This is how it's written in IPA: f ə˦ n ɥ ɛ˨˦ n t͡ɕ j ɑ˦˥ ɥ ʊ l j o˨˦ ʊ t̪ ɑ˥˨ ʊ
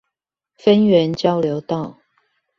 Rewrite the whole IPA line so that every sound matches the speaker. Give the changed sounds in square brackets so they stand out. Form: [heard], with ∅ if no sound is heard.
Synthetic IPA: f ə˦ n ɥ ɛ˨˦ n t͡ɕ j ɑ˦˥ [∅] ʊ l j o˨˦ ʊ t̪ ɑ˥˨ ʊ